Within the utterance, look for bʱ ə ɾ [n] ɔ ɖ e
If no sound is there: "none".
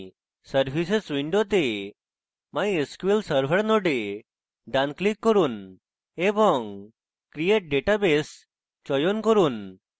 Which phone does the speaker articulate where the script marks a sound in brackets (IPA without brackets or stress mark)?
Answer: n